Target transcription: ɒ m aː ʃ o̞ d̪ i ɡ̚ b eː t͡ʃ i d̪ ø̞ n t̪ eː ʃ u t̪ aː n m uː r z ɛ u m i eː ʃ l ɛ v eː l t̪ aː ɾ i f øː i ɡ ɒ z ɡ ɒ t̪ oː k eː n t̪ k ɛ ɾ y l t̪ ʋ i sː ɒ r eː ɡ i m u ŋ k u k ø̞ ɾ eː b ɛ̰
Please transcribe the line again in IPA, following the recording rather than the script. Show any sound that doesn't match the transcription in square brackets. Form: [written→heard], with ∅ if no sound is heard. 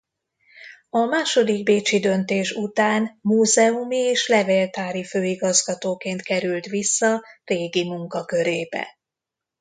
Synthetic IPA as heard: ɒ m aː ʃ o̞ d̪ i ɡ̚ b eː t͡ʃ i d̪ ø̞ n t̪ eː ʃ u t̪ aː n m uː [r→∅] z ɛ u m i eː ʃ l ɛ v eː l t̪ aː ɾ i f øː i ɡ ɒ z ɡ ɒ t̪ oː k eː n t̪ k ɛ ɾ y l t̪ ʋ i sː ɒ r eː ɡ i m u ŋ k [u→ɒ] k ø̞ ɾ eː b ɛ̰